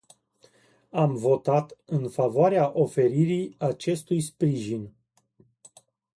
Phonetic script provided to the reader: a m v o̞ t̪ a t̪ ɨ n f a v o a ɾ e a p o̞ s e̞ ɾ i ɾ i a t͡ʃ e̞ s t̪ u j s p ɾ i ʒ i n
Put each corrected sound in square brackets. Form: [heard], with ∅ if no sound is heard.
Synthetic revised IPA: a m v o̞ t̪ a t̪ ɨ n f a v o a ɾ e a [ʔ] o̞ [f] e̞ ɾ i ɾ i a t͡ʃ e̞ s t̪ u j s p ɾ i ʒ i n

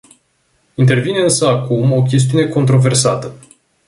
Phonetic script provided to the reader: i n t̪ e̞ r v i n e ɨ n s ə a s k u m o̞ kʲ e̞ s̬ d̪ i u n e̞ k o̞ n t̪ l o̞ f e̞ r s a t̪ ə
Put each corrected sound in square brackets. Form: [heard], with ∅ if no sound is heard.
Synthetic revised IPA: i n t̪ e̞ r v i n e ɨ n s ə a [∅] k u m o̞ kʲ e̞ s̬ [t̪] i u n e̞ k o̞ n t̪ [ɾ] o̞ [v] e̞ r s a t̪ ə

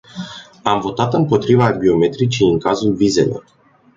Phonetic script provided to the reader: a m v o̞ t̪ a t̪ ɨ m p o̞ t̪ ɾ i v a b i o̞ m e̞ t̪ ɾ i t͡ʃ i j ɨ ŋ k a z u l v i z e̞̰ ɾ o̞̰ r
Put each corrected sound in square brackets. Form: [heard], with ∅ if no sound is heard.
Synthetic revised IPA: a m v o̞ t̪ a t̪ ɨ m p o̞ t̪ ɾ i v a b i o̞ m e̞ t̪ ɾ i t͡ʃ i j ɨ ŋ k a z u l v i z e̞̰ [l] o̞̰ r

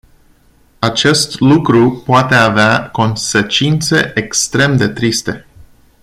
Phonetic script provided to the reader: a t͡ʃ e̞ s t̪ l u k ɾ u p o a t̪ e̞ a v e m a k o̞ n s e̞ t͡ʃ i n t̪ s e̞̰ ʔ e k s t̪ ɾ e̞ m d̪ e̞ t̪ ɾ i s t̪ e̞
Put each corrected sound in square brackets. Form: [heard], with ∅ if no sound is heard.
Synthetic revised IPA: a t͡ʃ e̞ s t̪ l u k ɾ u p o a t̪ e̞ a v e [∅] a k o̞ n s e̞ t͡ʃ i n t̪ s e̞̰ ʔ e k s t̪ ɾ e̞ m d̪ e̞ t̪ ɾ i s t̪ e̞

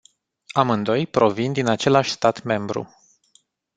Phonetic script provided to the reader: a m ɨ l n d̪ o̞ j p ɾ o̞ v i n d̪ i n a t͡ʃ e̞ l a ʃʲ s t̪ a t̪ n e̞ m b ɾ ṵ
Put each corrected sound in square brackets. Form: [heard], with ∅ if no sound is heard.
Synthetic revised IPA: a m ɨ [∅] n d̪ o̞ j p ɾ o̞ v i n d̪ i n a t͡ʃ e̞ l a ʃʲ s t̪ a t̪ [m] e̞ m b ɾ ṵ

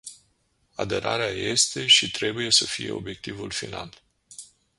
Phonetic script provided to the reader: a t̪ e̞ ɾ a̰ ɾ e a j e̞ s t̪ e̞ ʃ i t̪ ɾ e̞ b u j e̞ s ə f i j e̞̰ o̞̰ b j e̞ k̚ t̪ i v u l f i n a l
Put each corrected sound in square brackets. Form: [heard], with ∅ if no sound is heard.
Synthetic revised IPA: a [d̪] e̞ ɾ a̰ ɾ e a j e̞ s t̪ e̞ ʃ i t̪ ɾ e̞ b u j e̞ s ə f i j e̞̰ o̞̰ b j e̞ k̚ t̪ i v u l f i n a l

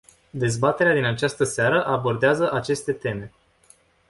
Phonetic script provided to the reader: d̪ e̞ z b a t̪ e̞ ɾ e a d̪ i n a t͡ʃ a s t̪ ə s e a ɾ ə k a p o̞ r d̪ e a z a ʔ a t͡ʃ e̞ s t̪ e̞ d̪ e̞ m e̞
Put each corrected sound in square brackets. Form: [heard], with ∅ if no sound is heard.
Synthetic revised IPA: d̪ e̞ z b a t̪ e̞ ɾ e a d̪ i n a t͡ʃ a s t̪ ə s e a ɾ ə [ʔ] a [b] o̞ r d̪ e a z [ə] ʔ a t͡ʃ e̞ s t̪ e̞ [t̪] e̞ m e̞

